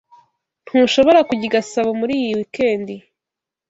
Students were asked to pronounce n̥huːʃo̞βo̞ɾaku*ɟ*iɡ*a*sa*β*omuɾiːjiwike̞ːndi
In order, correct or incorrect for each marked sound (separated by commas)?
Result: correct, correct, correct